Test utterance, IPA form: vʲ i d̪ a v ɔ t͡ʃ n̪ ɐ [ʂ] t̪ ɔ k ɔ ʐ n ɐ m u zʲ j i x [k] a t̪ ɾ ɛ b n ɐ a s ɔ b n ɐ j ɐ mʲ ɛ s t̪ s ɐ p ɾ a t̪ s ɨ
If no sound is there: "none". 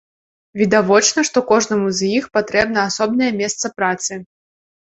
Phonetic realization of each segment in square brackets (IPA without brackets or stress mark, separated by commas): ʂ, p